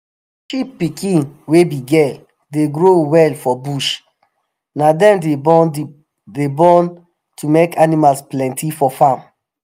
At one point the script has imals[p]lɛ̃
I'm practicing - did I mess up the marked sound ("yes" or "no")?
no